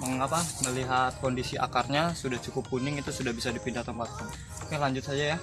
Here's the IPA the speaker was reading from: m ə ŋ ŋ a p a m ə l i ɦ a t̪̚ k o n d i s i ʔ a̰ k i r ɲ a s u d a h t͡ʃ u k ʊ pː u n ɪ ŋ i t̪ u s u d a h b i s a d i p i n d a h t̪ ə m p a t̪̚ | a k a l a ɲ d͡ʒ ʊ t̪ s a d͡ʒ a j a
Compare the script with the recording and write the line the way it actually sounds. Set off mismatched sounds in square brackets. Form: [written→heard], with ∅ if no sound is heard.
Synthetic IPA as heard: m ə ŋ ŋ a p a m ə l i ɦ a t̪̚ k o n d i s i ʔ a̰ k [i→a] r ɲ a s u d a h t͡ʃ u k ʊ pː u n ɪ ŋ i t̪ u s u d a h b i s a d i p i n d a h t̪ ə m p a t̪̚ | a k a l a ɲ d͡ʒ ʊ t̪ s a d͡ʒ a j a